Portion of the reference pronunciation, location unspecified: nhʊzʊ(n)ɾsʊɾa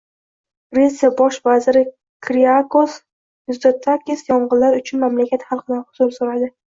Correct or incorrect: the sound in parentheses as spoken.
incorrect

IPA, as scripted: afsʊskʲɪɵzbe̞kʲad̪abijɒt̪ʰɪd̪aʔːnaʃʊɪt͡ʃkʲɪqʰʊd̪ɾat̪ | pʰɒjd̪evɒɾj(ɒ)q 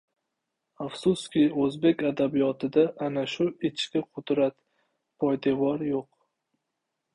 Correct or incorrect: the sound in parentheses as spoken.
incorrect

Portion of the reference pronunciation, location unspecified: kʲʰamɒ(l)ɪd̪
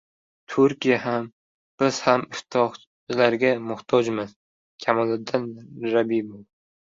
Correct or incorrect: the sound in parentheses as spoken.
correct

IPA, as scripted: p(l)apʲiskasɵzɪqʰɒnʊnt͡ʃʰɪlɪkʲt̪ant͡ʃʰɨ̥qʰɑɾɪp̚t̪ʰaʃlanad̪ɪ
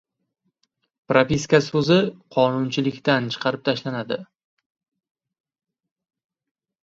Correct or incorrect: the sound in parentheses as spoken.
incorrect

